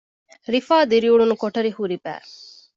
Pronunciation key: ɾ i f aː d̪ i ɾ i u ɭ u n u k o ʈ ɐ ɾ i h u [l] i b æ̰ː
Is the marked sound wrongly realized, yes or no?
yes